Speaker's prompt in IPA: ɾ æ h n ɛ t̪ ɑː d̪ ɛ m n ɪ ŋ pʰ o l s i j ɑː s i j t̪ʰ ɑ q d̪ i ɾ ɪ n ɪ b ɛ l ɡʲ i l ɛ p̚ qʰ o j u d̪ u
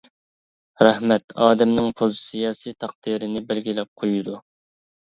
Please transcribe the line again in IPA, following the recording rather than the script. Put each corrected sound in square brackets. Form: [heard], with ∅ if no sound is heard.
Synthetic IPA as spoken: ɾ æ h [m] ɛ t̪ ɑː d̪ ɛ m n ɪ ŋ pʰ o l s i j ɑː s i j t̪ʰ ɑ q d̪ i ɾ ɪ n ɪ b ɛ l ɡʲ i l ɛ p̚ qʰ o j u d̪ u